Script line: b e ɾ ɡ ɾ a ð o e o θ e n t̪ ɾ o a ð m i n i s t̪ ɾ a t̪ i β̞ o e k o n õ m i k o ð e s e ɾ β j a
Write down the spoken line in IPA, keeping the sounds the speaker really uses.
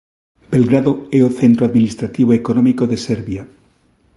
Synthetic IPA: b e l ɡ ɾ a ð o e o θ e n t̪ ɾ o a ð m i n i s t̪ ɾ a t̪ i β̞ o e k o n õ m i k o ð e s e ɾ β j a